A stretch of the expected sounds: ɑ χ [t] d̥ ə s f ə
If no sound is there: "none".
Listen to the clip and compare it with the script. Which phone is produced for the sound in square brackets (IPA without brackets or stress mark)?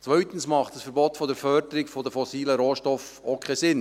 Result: t